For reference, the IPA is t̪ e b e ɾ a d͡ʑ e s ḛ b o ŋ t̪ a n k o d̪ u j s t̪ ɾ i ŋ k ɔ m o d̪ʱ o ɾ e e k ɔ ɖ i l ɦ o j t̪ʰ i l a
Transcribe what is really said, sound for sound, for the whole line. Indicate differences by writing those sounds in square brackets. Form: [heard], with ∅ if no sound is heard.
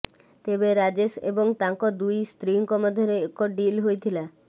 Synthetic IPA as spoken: t̪ e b e ɾ a d͡ʑ e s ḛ b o ŋ t̪ a [ŋ] k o d̪ u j s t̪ ɾ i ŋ k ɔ m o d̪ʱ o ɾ e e k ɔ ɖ i l ɦ o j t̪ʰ i l a

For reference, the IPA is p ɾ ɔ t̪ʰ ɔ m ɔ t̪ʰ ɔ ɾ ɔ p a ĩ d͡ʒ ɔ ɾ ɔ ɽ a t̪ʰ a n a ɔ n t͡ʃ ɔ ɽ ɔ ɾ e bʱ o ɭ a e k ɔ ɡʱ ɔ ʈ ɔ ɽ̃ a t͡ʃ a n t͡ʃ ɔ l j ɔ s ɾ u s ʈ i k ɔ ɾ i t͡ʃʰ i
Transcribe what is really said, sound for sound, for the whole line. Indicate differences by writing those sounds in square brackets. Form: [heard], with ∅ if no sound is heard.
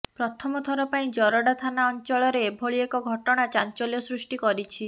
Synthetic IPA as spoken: p ɾ ɔ t̪ʰ ɔ m ɔ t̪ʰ ɔ ɾ ɔ p a ĩ d͡ʒ ɔ ɾ ɔ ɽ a t̪ʰ a n a ɔ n t͡ʃ ɔ [ɭ] ɔ ɾ e bʱ o ɭ [i] e k ɔ ɡʱ ɔ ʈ ɔ ɽ̃ a t͡ʃ a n t͡ʃ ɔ l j ɔ s ɾ u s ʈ i k ɔ ɾ i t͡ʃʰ i

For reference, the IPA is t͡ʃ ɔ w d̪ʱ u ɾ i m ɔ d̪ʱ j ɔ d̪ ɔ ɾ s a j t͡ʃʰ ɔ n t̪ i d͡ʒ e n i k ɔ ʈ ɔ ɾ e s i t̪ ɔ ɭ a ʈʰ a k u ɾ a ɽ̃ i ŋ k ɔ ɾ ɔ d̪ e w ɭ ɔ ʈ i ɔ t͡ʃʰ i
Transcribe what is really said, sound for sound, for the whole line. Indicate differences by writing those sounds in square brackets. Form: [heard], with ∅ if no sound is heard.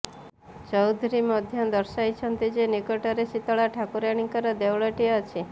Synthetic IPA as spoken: t͡ʃ ɔ w d̪ʱ u ɾ i m ɔ d̪ʱ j ɔ d̪ ɔ ɾ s a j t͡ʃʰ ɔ n t̪ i d͡ʒ e n i k ɔ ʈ ɔ ɾ e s i t̪ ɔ ɭ a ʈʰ a k u ɾ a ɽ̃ i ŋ k ɔ ɾ ɔ d̪ e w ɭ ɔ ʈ i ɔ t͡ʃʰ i

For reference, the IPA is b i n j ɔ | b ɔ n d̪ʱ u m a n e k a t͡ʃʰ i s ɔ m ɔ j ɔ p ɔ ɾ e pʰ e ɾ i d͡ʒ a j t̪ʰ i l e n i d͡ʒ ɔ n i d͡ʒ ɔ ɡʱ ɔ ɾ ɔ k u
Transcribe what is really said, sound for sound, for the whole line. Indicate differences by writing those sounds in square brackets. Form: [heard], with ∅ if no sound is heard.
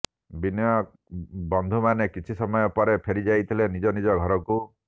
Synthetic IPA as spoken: b i n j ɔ | b ɔ n d̪ʱ u m a n e k [i] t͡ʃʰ i s ɔ m ɔ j ɔ p ɔ ɾ e pʰ e ɾ i d͡ʒ a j t̪ʰ i l e n i d͡ʒ ɔ n i d͡ʒ ɔ ɡʱ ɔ ɾ ɔ k u

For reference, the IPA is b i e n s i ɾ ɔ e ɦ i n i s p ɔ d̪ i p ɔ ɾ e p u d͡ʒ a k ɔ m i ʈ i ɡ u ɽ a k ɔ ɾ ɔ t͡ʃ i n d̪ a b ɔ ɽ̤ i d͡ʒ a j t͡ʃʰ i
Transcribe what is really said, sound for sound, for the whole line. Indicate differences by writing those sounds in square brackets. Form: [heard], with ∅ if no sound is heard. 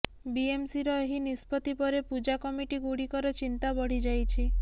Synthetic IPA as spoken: b i e [m] s i ɾ ɔ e ɦ i n i s p ɔ [t̪] i p ɔ ɾ e p u d͡ʒ a k ɔ m i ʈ i ɡ u ɽ [i] k ɔ ɾ ɔ t͡ʃ i n [t̪] a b ɔ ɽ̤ i d͡ʒ a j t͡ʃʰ i

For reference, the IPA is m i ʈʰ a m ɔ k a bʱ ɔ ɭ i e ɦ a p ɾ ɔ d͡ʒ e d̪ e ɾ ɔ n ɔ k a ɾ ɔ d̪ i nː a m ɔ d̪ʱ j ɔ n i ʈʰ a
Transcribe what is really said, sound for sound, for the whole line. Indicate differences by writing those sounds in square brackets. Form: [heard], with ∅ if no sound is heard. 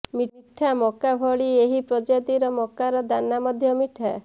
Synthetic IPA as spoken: m i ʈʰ a m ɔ k a bʱ ɔ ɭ i e ɦ [i] p ɾ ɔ d͡ʒ [a] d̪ [i] ɾ ɔ [m] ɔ k a ɾ ɔ d̪ [a] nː a m ɔ d̪ʱ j ɔ [m] i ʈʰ a

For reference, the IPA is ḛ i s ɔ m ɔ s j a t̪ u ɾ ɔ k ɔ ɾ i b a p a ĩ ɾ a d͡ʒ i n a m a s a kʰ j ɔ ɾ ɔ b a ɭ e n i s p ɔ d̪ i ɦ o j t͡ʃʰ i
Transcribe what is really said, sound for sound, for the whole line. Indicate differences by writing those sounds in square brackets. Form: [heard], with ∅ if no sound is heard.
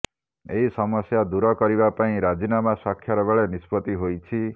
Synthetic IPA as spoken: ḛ i s ɔ m ɔ s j a [d̪] u ɾ ɔ k ɔ ɾ i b a p a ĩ ɾ a d͡ʒ i n a m a s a kʰ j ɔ ɾ ɔ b [e] ɭ e n i s p ɔ [t̪] i ɦ o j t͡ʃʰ i

